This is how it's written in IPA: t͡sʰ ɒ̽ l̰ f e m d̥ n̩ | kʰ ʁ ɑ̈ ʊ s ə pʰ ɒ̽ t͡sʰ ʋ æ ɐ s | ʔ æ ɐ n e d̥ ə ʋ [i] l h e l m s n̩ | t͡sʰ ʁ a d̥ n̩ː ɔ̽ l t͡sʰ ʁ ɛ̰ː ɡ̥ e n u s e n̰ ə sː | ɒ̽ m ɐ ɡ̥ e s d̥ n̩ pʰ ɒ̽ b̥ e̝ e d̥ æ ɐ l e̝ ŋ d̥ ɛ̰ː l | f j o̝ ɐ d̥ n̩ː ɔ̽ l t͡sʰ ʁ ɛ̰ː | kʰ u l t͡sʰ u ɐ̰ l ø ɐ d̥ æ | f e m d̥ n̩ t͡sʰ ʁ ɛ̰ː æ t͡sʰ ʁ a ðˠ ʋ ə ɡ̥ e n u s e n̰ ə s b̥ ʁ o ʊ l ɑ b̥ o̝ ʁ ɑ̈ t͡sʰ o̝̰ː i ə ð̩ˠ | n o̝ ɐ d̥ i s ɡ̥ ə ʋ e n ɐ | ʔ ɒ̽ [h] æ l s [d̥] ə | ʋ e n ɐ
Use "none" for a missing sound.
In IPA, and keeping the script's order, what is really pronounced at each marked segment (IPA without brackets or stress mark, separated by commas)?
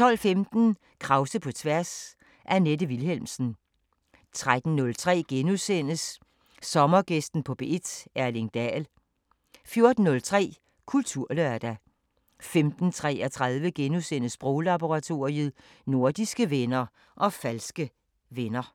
i, f, ɡ̥